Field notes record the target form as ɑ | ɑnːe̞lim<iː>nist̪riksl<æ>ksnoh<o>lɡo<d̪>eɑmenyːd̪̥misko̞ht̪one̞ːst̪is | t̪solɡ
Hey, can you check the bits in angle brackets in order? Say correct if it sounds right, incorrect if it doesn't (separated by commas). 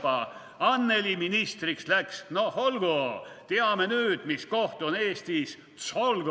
incorrect, correct, correct, incorrect